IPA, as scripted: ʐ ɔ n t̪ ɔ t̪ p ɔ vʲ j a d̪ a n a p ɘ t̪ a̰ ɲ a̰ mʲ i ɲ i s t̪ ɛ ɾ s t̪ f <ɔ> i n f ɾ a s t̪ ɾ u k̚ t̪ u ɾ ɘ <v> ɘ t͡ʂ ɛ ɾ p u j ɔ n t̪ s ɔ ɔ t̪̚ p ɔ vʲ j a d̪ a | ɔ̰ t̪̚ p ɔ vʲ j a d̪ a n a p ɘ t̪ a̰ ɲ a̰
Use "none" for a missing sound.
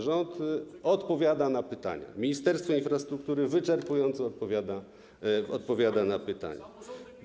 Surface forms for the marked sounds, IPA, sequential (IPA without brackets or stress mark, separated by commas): ɔ, v